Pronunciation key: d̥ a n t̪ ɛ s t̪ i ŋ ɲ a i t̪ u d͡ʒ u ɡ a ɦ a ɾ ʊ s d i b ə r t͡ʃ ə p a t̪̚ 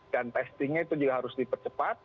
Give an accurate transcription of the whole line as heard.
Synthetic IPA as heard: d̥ a n t̪ ɛ s t̪ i ŋ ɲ a i t̪ u d͡ʒ u ɡ a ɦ a ɾ ʊ s d i p ə r t͡ʃ ə p a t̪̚